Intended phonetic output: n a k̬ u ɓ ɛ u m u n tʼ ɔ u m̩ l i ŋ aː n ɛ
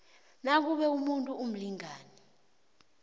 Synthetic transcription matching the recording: n a k̬ u ɓ ɛ u m u n tʼ u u m̩ l i ŋ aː n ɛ